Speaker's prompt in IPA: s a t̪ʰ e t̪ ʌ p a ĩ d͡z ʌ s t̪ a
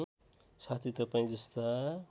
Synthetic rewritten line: s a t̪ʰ i t̪ ʌ p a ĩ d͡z ʌ s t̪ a